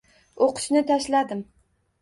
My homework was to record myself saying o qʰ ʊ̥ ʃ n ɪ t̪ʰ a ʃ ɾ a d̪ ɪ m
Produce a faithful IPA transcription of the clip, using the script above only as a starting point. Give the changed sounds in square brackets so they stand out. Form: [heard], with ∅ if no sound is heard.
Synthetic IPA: o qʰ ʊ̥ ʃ n ɪ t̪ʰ a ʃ [l] a d̪ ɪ m